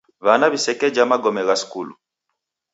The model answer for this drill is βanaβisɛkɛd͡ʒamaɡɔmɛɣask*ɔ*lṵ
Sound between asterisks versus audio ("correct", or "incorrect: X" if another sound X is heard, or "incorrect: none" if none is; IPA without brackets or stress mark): incorrect: u